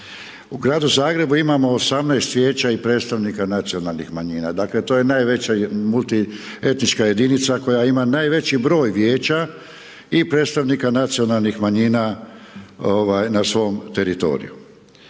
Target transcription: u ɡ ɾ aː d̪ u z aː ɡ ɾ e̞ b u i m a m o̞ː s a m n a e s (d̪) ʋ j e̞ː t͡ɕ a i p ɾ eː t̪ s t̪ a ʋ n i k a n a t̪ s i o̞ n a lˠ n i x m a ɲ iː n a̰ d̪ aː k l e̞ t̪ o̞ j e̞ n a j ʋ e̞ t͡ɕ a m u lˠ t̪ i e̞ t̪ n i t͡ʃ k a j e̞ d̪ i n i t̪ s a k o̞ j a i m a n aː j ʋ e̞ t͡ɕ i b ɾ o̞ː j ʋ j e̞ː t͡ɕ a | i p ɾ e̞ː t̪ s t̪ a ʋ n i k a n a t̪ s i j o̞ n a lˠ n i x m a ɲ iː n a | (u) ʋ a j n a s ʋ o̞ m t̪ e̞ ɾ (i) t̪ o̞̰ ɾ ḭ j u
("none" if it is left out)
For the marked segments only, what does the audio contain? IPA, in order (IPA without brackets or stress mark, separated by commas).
t̪, o, i